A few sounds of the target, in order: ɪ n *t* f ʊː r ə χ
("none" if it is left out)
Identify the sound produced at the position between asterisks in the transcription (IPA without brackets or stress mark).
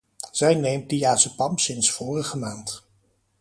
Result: s